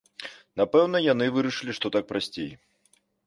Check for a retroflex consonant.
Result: present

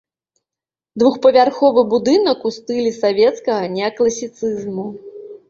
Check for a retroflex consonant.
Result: absent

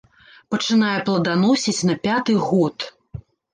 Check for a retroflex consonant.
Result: present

